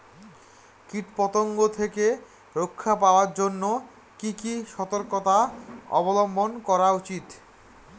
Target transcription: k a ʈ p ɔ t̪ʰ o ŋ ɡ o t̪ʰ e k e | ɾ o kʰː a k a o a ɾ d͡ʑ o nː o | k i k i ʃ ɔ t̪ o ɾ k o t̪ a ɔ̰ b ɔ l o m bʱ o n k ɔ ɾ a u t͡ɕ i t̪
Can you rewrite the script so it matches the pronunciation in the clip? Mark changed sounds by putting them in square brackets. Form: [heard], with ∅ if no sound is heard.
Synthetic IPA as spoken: k [i] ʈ p ɔ [t̪] o ŋ ɡ o t̪ʰ e k e | ɾ o kʰː a [p] a o a ɾ d͡ʑ o nː o | k i k i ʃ ɔ t̪ o ɾ k o t̪ a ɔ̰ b [o] l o m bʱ o n k ɔ ɾ a u t͡ɕ i t̪